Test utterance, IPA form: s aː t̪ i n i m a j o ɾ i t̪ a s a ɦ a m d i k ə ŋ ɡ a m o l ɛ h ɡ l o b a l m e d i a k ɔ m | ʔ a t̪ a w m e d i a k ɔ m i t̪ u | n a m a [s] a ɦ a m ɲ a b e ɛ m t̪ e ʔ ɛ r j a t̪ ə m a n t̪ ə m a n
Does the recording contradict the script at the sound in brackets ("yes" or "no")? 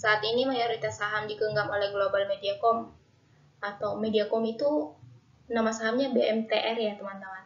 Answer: no